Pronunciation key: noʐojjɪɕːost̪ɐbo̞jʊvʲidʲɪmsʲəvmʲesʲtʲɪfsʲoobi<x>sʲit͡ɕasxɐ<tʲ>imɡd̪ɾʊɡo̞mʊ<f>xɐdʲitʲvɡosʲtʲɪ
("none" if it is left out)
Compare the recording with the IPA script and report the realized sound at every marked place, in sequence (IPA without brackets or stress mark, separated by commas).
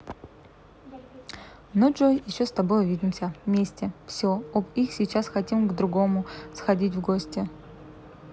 x, tʲ, s